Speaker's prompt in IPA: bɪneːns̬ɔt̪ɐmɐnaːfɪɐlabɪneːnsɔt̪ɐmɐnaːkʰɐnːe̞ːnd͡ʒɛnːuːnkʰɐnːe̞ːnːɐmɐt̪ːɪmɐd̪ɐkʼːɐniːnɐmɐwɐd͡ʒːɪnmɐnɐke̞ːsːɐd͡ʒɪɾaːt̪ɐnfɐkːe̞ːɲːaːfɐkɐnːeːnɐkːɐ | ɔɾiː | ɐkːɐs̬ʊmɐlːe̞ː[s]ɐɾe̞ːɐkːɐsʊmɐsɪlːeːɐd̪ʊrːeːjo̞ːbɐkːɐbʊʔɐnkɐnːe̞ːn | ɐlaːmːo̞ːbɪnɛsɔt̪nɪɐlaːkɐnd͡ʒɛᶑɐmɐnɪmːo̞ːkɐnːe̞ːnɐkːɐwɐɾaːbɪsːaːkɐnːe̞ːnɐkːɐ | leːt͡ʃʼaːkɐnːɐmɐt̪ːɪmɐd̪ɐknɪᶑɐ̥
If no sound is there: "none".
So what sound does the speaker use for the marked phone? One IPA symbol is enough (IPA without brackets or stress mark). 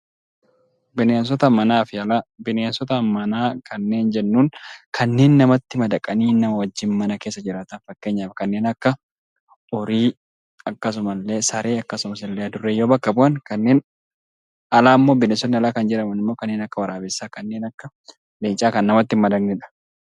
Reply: s